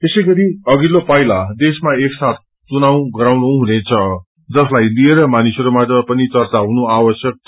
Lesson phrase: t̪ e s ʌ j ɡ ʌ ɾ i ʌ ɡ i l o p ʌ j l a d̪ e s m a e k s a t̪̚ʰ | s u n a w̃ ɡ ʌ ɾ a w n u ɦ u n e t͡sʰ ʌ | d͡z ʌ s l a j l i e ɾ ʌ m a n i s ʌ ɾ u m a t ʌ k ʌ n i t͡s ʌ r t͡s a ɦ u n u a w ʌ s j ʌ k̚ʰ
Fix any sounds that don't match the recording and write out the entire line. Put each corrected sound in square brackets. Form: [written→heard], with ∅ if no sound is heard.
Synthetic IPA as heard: t̪ e s ʌ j ɡ ʌ ɾ i ʌ ɡ i l o p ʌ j l a d̪ e s m a e k s a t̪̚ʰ | [s→t͡s] u n a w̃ ɡ ʌ ɾ a w n u ɦ u n e t͡sʰ ʌ | d͡z ʌ s l a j l i e ɾ ʌ m a n i s ʌ ɾ u m a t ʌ [k→p] ʌ n i t͡s ʌ r t͡s a ɦ u n u a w ʌ s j ʌ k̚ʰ